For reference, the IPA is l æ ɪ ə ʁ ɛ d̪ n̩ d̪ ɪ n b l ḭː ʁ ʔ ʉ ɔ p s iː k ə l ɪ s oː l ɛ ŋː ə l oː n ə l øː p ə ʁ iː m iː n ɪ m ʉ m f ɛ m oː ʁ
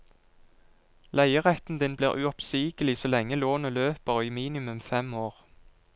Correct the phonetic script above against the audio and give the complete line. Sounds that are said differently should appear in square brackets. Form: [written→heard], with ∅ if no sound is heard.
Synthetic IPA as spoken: l æ ɪ ə ʁ ɛ [d̪→t̪] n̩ d̪ ɪ n b l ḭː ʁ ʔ ʉ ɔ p s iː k ə l ɪ s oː l ɛ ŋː ə l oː n ə l øː p ə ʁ iː m iː n ɪ m ʉ m f ɛ m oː ʁ

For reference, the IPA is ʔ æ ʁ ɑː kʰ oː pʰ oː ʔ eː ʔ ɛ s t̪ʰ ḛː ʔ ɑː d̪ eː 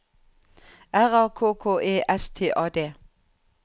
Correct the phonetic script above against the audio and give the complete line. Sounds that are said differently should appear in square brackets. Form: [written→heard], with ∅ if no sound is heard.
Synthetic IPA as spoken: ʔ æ ʁ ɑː kʰ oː [pʰ→kʰ] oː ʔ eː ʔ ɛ s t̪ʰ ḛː ʔ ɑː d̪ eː

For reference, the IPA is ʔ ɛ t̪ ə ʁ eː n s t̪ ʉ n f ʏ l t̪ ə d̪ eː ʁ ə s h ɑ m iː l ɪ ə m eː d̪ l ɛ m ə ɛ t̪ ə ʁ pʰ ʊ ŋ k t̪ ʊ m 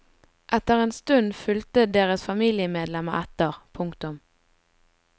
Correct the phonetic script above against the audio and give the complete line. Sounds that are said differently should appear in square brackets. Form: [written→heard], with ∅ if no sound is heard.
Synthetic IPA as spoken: ʔ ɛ t̪ ə ʁ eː n s t̪ ʉ n f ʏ l t̪ ə d̪ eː ʁ ə s [h→f] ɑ m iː l ɪ ə m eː d̪ l ɛ m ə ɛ t̪ ə ʁ pʰ ʊ ŋ k t̪ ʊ m

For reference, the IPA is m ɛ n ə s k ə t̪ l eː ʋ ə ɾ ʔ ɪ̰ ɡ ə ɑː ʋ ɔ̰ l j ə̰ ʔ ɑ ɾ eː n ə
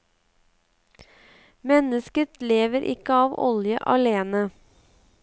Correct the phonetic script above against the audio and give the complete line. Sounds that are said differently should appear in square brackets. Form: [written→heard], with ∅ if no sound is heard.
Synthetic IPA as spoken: m ɛ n ə s k ə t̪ l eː ʋ ə ɾ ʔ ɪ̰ [ɡ→k] ə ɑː ʋ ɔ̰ l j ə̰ ʔ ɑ [ɾ→l] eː n ə

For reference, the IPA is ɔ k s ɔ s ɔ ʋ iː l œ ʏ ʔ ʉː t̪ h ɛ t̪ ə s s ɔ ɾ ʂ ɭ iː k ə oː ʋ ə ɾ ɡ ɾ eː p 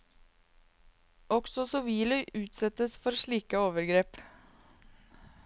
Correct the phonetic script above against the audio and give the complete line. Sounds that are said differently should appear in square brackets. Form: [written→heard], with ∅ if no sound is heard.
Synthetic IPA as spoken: ɔ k s ɔ s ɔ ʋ iː l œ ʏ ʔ ʉː t̪ [h→s] ɛ t̪ ə s [s→f] ɔ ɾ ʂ ɭ iː k ə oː ʋ ə ɾ ɡ ɾ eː p

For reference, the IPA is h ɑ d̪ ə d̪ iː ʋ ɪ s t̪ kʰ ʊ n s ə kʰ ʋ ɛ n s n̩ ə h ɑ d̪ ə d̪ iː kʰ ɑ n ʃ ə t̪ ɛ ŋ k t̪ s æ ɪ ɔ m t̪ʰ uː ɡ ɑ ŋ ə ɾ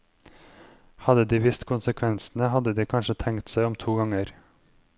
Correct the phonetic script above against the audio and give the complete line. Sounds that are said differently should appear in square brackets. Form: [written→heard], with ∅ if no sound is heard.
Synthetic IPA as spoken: h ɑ d̪ ə d̪ iː ʋ ɪ s t̪ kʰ ʊ n s ə kʰ ʋ ɛ n s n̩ ə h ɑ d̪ ə d̪ iː kʰ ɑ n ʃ ə [t̪→t̪ʰ] ɛ ŋ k t̪ s æ ɪ ɔ m t̪ʰ uː ɡ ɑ ŋ ə ɾ

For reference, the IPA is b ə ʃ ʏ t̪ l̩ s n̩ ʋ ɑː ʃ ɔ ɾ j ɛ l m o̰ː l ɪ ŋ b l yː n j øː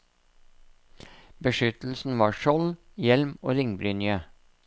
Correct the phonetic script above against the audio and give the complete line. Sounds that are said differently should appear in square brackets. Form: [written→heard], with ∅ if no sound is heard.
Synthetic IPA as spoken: b ə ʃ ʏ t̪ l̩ s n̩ ʋ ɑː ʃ ɔ [ɾ→l] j ɛ l m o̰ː [l→ɾ] ɪ ŋ b [l→ɾ] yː n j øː

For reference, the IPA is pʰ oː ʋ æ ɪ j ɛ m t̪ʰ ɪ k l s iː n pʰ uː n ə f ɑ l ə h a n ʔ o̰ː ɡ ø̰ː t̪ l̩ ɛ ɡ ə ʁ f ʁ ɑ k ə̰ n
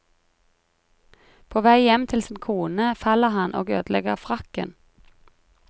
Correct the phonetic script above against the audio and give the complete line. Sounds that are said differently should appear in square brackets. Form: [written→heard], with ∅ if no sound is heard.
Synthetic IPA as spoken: pʰ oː ʋ æ ɪ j ɛ m t̪ʰ ɪ [k→∅] l s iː n [pʰ→kʰ] uː n ə f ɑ l ə h [a→ɑ] n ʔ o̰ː ɡ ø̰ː [t̪→d̪] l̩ ɛ ɡ ə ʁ f ʁ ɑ k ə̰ n

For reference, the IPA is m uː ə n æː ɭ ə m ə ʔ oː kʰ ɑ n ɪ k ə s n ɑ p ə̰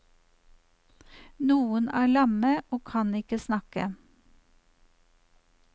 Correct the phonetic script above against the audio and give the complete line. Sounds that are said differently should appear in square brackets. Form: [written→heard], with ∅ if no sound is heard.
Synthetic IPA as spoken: [m→n] uː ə n æː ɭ [ə→ɑ] m ə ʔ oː kʰ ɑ n ɪ k ə s n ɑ [p→k] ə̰

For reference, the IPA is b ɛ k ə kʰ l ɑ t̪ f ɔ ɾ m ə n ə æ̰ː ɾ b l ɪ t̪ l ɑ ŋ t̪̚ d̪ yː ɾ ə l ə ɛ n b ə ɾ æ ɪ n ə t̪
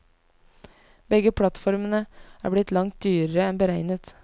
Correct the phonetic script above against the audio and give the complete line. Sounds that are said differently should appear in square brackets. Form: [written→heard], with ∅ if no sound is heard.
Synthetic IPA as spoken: b ɛ [k→ɡ] ə [kʰ→pʰ] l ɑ t̪ f ɔ ɾ m ə n ə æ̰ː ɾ b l ɪ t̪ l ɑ ŋ t̪̚ d̪ yː ɾ ə [l→ɾ] ə ɛ n b ə ɾ æ ɪ n ə t̪

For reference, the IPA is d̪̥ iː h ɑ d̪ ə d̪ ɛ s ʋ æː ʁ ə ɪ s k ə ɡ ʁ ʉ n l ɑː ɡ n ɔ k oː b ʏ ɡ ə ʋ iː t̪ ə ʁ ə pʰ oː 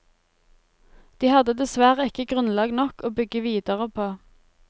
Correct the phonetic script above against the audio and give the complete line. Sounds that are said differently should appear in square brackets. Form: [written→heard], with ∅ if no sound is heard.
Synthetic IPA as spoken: d̪̥ iː h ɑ d̪ ə d̪ ɛ s ʋ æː ʁ ə ɪ [s→∅] k ə ɡ ʁ ʉ n l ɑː ɡ n ɔ k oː b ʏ ɡ ə ʋ iː [t̪→d̪] ə ʁ ə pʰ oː

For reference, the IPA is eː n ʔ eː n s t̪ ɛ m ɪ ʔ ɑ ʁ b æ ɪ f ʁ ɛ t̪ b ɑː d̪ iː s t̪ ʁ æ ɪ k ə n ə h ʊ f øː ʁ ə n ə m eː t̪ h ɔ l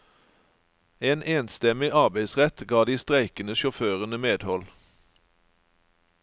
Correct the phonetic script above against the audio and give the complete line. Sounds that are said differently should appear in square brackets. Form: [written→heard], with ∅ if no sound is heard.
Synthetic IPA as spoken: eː n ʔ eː n s t̪ ɛ m ɪ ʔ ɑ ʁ b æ ɪ [f→s] ʁ ɛ t̪ [b→ɡ] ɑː d̪ iː s t̪ ʁ æ ɪ k ə n ə [h→ʃ] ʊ f øː ʁ ə n ə m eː [t̪→d̪] h ɔ l

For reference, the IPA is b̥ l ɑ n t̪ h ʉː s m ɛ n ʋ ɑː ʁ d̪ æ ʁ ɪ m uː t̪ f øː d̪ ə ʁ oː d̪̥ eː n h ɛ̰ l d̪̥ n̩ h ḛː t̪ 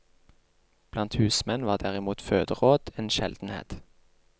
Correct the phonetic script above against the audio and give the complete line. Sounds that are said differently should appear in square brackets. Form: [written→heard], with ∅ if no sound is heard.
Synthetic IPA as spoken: b̥ l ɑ n t̪ h ʉː s m ɛ n ʋ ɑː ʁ d̪ æ ʁ ɪ m uː t̪ f øː d̪ ə ʁ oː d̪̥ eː n [h→ʃ] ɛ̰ l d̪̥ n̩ h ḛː t̪

